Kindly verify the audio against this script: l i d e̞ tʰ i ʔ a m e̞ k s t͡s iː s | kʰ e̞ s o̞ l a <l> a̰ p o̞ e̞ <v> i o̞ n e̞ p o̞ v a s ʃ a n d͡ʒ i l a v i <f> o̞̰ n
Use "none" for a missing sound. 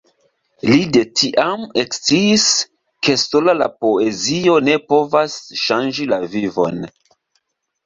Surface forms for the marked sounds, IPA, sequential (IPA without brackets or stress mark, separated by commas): l, z, v